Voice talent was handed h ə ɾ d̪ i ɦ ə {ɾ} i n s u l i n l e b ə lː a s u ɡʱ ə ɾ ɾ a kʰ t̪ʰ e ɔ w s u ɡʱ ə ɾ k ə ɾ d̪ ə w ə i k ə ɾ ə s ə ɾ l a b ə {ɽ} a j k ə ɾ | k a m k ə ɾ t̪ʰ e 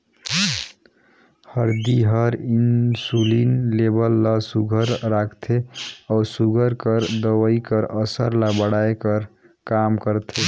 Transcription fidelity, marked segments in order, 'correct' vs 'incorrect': correct, correct

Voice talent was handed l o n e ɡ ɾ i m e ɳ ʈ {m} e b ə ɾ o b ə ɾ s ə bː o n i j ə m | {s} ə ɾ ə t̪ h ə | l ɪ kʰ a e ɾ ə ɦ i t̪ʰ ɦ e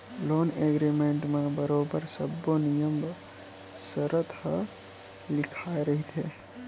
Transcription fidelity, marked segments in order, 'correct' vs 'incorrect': correct, correct

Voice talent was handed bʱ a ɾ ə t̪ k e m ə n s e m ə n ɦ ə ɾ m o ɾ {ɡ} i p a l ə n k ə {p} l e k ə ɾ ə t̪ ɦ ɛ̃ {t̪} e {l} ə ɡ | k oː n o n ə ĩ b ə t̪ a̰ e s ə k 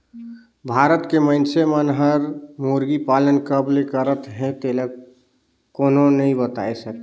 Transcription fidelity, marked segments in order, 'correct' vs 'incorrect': correct, incorrect: b, correct, correct

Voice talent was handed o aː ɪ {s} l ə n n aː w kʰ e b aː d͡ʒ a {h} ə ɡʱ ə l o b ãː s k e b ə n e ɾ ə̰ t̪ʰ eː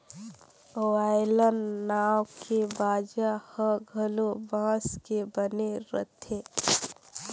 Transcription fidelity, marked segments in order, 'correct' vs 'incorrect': incorrect: none, correct

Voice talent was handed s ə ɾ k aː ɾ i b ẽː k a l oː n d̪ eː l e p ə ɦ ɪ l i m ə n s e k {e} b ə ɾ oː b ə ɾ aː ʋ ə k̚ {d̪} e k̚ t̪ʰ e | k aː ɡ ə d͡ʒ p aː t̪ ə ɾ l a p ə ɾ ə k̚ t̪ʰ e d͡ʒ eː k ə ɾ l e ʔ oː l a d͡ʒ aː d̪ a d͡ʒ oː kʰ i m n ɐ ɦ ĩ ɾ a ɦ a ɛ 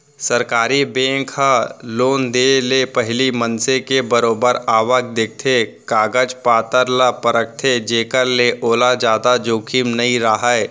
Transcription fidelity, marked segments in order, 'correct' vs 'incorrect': correct, correct

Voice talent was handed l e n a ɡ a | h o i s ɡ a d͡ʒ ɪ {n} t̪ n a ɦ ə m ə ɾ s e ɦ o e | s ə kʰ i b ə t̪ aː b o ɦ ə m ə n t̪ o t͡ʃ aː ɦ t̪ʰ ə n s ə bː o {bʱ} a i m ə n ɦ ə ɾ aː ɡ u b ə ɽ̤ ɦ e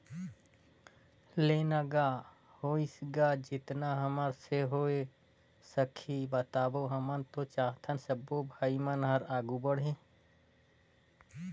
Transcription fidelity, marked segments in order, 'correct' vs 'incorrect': incorrect: none, correct

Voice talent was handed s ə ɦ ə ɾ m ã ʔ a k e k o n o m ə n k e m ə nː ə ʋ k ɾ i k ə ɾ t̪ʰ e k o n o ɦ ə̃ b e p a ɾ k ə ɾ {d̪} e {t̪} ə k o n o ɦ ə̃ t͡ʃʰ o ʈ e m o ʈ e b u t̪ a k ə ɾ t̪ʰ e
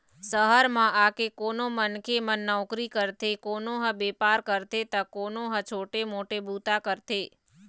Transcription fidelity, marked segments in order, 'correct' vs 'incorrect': incorrect: t̪, correct

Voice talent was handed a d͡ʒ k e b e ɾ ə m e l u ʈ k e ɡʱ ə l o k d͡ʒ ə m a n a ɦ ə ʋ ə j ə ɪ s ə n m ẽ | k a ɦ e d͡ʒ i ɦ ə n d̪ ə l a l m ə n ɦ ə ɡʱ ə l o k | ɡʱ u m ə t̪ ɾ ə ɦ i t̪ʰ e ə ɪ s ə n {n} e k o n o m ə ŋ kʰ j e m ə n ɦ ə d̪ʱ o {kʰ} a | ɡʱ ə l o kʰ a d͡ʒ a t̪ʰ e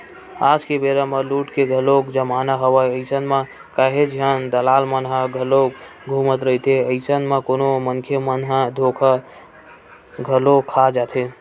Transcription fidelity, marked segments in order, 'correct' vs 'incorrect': incorrect: m, correct

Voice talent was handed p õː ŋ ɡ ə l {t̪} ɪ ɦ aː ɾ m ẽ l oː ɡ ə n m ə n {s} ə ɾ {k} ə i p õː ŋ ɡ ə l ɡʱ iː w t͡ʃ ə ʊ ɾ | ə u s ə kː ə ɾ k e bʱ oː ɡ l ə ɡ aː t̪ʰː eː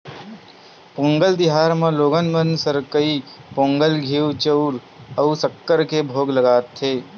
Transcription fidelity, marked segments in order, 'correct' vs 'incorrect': incorrect: d̪, correct, correct

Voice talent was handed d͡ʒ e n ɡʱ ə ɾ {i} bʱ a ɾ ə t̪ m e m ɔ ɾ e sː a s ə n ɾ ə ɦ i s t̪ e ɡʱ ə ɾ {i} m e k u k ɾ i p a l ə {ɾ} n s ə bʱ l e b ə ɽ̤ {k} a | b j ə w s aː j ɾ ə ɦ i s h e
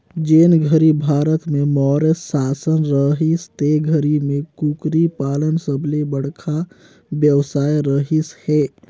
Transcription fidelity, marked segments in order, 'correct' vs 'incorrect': correct, correct, incorrect: none, incorrect: kʰ

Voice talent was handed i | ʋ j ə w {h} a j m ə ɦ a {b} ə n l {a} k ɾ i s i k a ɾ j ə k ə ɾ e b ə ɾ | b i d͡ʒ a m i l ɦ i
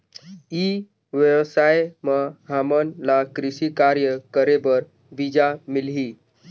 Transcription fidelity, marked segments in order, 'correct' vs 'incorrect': incorrect: s, incorrect: m, correct

